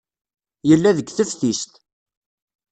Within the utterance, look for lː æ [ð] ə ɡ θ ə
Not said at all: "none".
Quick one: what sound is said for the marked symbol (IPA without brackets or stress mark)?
ð